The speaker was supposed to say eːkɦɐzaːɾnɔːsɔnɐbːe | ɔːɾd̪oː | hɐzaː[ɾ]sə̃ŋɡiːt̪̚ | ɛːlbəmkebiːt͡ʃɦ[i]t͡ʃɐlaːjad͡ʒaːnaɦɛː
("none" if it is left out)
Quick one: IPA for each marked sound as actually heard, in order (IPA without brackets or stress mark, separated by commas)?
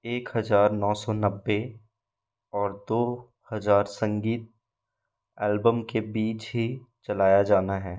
ɾ, i